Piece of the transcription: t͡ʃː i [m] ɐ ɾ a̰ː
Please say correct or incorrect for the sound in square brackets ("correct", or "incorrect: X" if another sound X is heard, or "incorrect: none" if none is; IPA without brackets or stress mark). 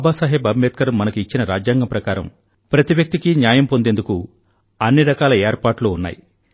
incorrect: n